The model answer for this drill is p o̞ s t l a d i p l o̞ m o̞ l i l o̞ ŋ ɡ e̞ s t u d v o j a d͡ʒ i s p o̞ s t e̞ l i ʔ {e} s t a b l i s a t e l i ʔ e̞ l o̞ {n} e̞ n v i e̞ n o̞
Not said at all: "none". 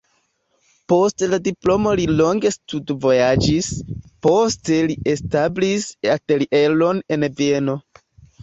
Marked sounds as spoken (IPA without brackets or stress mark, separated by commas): e, n